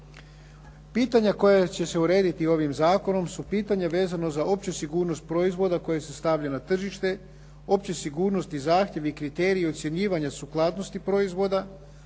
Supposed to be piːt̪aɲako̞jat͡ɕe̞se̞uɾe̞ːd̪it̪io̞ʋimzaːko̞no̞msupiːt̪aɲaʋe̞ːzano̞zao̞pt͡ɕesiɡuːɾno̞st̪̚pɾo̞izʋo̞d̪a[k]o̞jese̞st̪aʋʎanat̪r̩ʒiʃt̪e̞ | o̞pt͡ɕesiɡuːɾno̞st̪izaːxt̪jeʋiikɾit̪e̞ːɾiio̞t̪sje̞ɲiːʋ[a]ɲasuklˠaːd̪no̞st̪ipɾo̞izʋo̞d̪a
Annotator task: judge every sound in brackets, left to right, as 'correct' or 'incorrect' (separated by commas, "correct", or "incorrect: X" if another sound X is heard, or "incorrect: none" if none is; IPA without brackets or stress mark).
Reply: correct, correct